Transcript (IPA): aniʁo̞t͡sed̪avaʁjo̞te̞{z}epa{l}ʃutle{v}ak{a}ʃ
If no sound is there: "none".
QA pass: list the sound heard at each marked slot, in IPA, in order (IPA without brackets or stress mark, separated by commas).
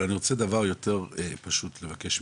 ʁ, none, v, e